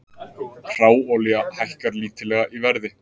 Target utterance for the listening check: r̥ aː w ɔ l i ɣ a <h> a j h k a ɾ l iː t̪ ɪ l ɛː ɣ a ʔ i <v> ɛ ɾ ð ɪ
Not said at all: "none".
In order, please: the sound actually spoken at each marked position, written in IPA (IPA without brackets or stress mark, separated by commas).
h, v